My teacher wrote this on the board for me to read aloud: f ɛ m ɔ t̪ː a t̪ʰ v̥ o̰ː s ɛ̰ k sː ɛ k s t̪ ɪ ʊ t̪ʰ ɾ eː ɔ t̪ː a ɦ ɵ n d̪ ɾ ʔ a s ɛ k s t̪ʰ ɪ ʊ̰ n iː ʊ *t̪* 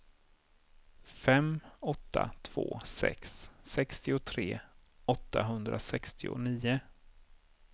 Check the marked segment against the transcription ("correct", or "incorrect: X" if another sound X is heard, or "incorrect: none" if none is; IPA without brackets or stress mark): incorrect: none